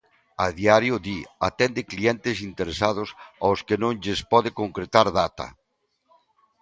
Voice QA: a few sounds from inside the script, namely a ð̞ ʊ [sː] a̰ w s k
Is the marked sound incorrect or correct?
incorrect